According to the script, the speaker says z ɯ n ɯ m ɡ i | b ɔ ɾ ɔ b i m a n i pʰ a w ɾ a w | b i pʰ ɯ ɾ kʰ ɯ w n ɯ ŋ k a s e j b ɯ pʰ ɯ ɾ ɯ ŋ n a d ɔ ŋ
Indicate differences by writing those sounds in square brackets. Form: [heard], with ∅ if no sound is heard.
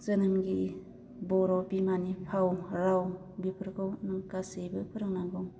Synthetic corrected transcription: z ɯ n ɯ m ɡ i | b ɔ ɾ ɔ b i m a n i pʰ a w ɾ a w | b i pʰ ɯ ɾ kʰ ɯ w n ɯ ŋ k a s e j b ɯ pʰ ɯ ɾ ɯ ŋ n a [ɡ] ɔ ŋ